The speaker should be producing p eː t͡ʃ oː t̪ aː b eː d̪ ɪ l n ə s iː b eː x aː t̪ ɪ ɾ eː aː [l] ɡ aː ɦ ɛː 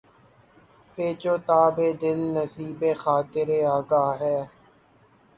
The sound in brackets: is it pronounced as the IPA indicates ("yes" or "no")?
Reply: no